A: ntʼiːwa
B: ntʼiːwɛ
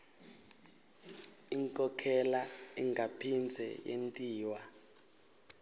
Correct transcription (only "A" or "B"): A